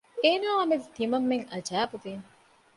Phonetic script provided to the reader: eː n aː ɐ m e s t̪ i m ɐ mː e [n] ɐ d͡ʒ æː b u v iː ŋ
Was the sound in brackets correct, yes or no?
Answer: no